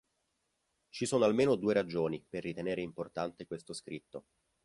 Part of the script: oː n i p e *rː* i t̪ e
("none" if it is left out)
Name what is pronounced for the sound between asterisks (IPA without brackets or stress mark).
rː